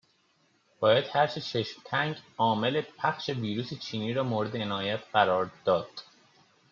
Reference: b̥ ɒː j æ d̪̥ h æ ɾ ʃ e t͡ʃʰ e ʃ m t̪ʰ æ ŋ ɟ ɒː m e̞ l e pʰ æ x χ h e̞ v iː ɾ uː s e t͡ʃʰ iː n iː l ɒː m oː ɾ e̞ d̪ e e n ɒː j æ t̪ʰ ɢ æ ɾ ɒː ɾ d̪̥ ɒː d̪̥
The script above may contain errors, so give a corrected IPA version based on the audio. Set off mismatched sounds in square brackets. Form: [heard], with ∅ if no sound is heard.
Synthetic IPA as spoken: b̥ ɒː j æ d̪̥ h æ ɾ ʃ e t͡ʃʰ e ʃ m t̪ʰ æ ŋ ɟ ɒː m e̞ l e pʰ æ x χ [ʃ] e̞ v iː ɾ uː s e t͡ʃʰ iː n iː [ɾ] ɒː m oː ɾ e̞ d̪ e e n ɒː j æ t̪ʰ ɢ æ ɾ ɒː ɾ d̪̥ ɒː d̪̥